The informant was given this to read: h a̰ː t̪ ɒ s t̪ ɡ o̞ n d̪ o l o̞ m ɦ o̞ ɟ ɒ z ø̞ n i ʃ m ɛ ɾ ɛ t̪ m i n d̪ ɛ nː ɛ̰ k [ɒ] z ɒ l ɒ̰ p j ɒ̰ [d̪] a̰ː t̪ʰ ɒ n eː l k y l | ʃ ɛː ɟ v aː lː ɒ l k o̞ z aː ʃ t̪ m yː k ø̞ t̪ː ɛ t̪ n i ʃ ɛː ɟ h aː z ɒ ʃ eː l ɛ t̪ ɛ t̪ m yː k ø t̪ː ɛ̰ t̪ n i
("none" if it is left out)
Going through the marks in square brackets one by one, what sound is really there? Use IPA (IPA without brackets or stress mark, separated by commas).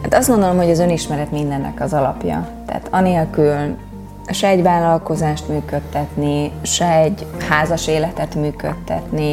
ɒ, t̪